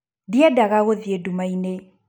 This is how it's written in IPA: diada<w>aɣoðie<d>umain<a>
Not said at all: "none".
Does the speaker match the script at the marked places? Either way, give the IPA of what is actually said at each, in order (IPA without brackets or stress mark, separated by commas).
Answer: ɣ, d, e